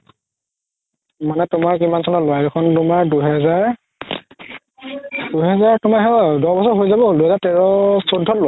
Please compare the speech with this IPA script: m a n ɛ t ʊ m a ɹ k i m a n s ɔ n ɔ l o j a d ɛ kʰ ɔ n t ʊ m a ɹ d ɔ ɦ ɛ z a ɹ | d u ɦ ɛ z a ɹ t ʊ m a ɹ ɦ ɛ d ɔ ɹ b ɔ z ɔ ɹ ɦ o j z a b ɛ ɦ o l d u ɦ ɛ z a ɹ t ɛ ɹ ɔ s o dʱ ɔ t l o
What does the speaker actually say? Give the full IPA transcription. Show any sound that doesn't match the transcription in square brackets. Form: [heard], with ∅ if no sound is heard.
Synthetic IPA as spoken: m a n ɛ t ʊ m a ɹ k i m a n s ɔ n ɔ l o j a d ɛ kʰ ɔ n t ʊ m a ɹ d [u] ɦ ɛ z a ɹ | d u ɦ ɛ z a ɹ t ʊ m a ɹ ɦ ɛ d ɔ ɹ b ɔ [s] ɔ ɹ ɦ o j z a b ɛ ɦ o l d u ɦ ɛ z a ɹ t ɛ ɹ ɔ s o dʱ ɔ t l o